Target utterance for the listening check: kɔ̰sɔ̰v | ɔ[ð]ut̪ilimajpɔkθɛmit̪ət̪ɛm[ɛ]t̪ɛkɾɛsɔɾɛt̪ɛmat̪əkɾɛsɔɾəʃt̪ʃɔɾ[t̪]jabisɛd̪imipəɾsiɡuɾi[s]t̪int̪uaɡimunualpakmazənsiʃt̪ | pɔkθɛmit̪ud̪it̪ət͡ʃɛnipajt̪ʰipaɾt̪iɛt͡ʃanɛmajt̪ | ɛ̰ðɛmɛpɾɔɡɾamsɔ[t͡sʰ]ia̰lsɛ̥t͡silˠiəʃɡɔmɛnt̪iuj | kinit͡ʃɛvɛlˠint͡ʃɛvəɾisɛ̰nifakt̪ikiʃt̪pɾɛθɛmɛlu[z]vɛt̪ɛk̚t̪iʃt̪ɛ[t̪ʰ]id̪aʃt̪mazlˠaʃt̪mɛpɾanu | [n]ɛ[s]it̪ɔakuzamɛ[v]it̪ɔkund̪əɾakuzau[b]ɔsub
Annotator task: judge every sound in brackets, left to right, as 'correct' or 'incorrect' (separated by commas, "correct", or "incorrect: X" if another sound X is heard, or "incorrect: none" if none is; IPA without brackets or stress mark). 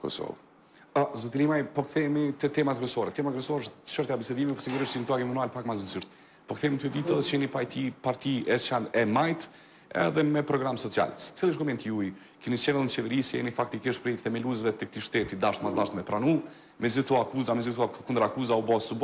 incorrect: z, incorrect: a, correct, incorrect: ʃ, incorrect: t͡s, correct, incorrect: t̪, incorrect: m, incorrect: z, incorrect: z, correct